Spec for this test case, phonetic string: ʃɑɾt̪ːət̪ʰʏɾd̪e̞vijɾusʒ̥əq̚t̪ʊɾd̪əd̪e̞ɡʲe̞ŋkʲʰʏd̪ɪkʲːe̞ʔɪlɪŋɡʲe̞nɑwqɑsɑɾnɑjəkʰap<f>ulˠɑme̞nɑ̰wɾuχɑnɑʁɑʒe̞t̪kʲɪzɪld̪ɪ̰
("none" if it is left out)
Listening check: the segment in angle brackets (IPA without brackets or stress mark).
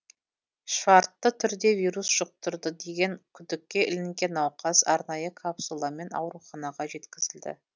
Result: s